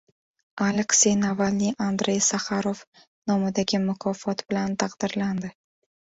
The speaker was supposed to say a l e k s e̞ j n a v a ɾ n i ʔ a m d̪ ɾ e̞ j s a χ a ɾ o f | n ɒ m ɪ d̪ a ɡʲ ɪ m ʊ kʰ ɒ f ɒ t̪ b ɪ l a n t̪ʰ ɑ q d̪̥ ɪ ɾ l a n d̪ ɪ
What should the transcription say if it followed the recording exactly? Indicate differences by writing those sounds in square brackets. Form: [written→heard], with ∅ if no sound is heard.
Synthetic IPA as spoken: a l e k s e̞ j n a v a [ɾ→l] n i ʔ a [m→n] d̪ ɾ e̞ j s a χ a ɾ o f | n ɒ m ɪ d̪ a ɡʲ ɪ m ʊ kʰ ɒ f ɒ t̪ b ɪ l a n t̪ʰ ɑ q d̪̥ ɪ ɾ l a n d̪ ɪ